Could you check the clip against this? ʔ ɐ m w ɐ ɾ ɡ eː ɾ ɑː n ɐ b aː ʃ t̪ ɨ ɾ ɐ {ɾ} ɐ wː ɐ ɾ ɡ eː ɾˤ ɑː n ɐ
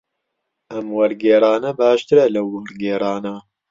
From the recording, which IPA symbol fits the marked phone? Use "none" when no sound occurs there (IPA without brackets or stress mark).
l